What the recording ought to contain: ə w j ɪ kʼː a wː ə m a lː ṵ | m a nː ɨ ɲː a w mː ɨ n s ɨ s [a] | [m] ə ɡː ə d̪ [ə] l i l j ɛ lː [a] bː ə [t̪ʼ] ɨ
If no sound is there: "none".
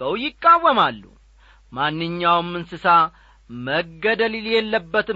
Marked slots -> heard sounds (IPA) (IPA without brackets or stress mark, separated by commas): a, m, ə, ə, t̪